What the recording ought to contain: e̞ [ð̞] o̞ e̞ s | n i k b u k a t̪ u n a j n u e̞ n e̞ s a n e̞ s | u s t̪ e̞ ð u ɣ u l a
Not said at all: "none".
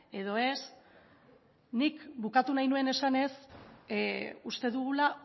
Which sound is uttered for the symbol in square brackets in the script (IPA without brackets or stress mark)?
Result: ð̞